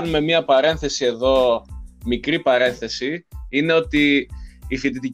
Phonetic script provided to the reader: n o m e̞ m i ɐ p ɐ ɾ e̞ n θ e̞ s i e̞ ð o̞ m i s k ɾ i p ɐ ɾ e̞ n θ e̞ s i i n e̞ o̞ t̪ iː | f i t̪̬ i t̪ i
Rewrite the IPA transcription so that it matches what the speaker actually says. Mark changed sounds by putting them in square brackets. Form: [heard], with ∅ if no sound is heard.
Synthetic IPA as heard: n [u] m e̞ m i ɐ p ɐ ɾ e̞ n θ e̞ s i e̞ ð o̞ m i [∅] k ɾ i p ɐ ɾ e̞ n θ e̞ s i i n e̞ o̞ t̪ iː | f i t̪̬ i t̪ i